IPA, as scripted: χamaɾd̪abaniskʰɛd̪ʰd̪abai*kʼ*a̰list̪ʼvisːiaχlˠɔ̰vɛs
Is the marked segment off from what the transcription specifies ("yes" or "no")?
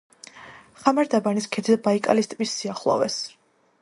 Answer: no